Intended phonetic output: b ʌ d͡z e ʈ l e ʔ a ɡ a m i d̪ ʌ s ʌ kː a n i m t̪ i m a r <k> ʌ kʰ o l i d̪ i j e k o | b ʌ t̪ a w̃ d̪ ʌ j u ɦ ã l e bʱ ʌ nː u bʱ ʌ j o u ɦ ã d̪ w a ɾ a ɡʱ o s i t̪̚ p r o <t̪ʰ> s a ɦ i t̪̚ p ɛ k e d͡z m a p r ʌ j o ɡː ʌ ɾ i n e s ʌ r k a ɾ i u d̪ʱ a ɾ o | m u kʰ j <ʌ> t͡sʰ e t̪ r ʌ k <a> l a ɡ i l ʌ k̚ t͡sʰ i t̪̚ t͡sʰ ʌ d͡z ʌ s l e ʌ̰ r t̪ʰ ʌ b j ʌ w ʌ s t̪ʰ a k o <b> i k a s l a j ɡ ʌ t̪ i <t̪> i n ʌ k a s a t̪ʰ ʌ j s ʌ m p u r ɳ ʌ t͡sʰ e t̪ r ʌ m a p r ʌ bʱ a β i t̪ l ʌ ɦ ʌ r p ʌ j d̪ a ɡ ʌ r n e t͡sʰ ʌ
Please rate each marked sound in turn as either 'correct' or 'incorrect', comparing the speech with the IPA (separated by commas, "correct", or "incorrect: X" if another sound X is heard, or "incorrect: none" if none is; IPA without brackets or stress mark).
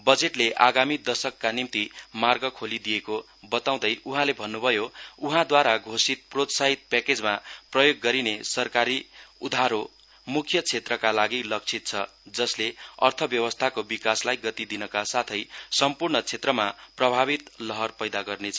incorrect: ɡ, incorrect: t̪, correct, correct, correct, incorrect: d̪